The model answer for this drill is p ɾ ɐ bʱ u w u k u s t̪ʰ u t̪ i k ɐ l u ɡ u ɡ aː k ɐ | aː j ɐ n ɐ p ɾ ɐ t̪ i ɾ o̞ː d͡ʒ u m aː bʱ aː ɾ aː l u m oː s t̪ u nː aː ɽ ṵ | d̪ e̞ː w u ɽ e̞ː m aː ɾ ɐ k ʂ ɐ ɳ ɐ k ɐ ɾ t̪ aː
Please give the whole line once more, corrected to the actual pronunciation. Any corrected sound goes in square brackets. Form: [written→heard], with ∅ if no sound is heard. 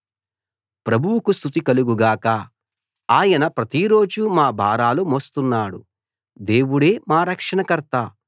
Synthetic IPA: p ɾ ɐ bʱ u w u k u s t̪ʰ u t̪ i k ɐ l u ɡ u ɡ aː k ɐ | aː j ɐ n ɐ p ɾ ɐ t̪ i ɾ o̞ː d͡ʒ u m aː bʱ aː ɾ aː l u m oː s t̪ u nː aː ɽ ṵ | d̪ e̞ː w u ɽ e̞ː m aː ɾ ɐ k ʂ ɐ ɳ ɐ k ɐ ɾ t̪ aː

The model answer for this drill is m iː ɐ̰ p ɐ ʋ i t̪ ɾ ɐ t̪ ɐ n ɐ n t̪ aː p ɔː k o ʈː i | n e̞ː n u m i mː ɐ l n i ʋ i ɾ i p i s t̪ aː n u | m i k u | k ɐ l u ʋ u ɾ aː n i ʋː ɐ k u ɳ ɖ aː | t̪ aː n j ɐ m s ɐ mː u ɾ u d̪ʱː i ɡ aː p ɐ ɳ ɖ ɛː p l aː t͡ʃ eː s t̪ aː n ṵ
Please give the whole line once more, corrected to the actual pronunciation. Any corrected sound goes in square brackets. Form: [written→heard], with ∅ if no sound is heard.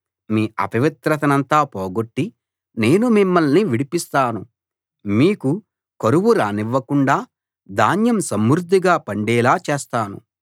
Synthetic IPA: m iː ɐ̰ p ɐ ʋ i t̪ ɾ ɐ t̪ ɐ n ɐ n t̪ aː p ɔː [k→ɡ] o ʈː i | n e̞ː n u m i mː ɐ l n i ʋ i [ɾ→ɽ] i p i s t̪ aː n u | m [i→iː] k u | k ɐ [l→ɾ] u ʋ u ɾ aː n i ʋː ɐ k u ɳ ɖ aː | [t̪→d̪] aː n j ɐ m s ɐ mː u ɾ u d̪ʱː i ɡ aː p ɐ ɳ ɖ ɛː [p→∅] l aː t͡ʃ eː s t̪ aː n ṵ

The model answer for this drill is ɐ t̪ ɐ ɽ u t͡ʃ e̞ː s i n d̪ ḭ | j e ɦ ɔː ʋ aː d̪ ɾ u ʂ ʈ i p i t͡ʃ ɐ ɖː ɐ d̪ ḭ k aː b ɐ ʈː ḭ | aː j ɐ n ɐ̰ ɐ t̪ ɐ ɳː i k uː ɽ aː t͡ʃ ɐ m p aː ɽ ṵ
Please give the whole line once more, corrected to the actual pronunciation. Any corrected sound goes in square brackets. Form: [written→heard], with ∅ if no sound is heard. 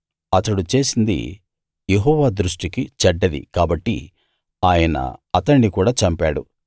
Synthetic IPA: ɐ t̪ ɐ ɽ u t͡ʃ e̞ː s i n d̪ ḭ | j e ɦ ɔː ʋ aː d̪ ɾ u ʂ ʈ i [p→k] i t͡ʃ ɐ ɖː ɐ d̪ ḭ k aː b ɐ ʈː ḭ | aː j ɐ n ɐ̰ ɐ t̪ ɐ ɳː i k uː ɽ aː t͡ʃ ɐ m p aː ɽ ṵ

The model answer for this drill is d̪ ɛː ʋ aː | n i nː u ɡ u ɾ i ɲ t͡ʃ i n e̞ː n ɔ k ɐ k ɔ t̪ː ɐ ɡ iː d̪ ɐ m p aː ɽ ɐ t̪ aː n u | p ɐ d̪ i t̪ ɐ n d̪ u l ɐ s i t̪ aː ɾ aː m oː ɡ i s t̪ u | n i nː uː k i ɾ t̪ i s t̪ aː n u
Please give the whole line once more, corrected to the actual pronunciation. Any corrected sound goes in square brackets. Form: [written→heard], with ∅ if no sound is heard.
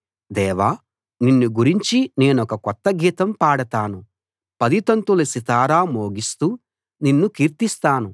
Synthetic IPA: d̪ ɛː ʋ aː | n i nː u ɡ u ɾ i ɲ t͡ʃ i n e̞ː n ɔ k ɐ k ɔ t̪ː ɐ ɡ iː [d̪→t̪] ɐ m p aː ɽ ɐ t̪ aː n u | p ɐ d̪ i t̪ ɐ n [d̪→t̪] u l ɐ s i t̪ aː ɾ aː m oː ɡ i s t̪ [u→uː] | n i nː [uː→u] k [i→iː] ɾ t̪ i s t̪ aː n u

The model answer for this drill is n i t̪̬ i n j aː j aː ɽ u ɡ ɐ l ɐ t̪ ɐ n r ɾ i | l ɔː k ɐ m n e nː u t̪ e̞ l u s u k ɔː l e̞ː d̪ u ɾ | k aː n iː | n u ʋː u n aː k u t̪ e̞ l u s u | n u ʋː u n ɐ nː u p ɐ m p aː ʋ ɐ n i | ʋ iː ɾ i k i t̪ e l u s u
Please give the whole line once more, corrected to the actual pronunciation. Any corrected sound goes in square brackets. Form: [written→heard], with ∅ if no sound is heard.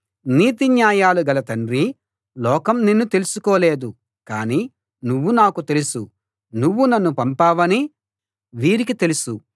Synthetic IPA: n [i→iː] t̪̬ i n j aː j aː [ɽ→l] u ɡ ɐ l ɐ t̪ ɐ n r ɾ i | l ɔː k ɐ m n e nː u t̪ e̞ l u s u k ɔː l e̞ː d̪ u [ɾ→∅] | k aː n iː | n u ʋː u n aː k u t̪ e̞ l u s u | n u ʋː u n ɐ nː u p ɐ m p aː ʋ ɐ n i | ʋ iː ɾ i k i t̪ e l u s u

